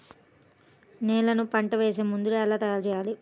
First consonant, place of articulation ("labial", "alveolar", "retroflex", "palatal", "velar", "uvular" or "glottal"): alveolar